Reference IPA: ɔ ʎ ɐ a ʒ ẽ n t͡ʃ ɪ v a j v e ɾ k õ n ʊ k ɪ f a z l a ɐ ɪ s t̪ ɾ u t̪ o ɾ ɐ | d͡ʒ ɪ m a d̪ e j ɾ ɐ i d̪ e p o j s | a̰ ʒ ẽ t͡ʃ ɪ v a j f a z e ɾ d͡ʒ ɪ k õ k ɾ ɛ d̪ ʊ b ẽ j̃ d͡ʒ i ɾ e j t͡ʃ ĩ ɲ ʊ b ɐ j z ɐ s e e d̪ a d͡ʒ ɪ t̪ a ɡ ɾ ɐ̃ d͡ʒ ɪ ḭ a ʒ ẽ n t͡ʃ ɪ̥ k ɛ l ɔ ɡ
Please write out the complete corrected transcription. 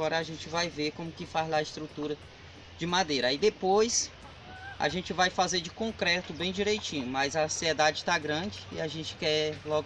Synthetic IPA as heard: ɔ ɾ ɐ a ʒ ẽ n t͡ʃ ɪ v a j v e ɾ k õ m ʊ k ɪ f a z l a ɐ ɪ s t̪ ɾ u t̪ u ɾ ɐ | d͡ʒ ɪ m a d̪ e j ɾ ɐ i d̪ e p o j s | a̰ ʒ ẽ t͡ʃ ɪ v a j f a z e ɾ d͡ʒ ɪ k õ k ɾ ɛ t̪ ʊ b ẽ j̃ d͡ʒ i ɾ e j t͡ʃ ĩ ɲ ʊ m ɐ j z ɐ s i e d̪ a d͡ʒ ɪ t̪ a ɡ ɾ ɐ̃ d͡ʒ ɪ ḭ a ʒ ẽ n t͡ʃ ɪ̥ k ɛ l ɔ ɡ